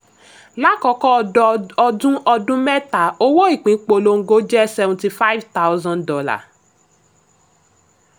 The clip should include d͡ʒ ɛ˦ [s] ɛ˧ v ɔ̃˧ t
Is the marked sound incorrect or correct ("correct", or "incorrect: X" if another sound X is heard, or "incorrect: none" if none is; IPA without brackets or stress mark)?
correct